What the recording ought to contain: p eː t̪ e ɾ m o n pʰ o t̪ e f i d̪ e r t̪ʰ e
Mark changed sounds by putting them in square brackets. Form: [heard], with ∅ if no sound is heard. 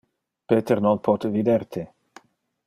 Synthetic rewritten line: p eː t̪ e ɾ [n] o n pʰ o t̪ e [v] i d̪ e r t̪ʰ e

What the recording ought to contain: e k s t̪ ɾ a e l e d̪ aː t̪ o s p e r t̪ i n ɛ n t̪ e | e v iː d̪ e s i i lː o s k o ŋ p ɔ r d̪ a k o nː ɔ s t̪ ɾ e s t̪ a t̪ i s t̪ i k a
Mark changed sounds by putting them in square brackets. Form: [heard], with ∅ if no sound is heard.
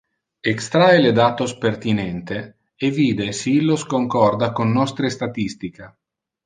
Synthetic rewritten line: e k s t̪ ɾ a e l e d̪ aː t̪ o s p e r t̪ i n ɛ n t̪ e | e v iː d̪ e s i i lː o s k o ŋ [k] ɔ r d̪ a k o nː ɔ s t̪ ɾ e s t̪ a t̪ i s t̪ i k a

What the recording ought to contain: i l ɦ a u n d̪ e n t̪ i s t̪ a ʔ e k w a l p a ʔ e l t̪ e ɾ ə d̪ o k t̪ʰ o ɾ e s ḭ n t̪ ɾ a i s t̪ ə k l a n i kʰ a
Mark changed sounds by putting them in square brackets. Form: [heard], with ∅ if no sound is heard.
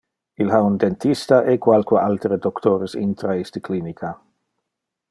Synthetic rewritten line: i l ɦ a u n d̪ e n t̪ i s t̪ a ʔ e k w a l [k] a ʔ [a] l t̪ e ɾ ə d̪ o k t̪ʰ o ɾ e s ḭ n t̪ ɾ a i s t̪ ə k l [i] n i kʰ a

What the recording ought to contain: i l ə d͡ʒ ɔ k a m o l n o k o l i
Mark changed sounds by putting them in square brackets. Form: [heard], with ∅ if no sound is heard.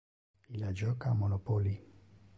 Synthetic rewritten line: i l [a] d͡ʒ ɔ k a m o [∅] n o [p] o l i

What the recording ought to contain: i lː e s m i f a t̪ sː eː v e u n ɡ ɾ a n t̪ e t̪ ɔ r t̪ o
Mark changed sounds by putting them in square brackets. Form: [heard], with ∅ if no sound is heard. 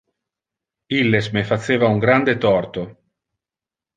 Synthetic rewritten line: i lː e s m [e] f a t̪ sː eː v [a] u [ŋ] ɡ ɾ a n [d̪] e t̪ ɔ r t̪ o

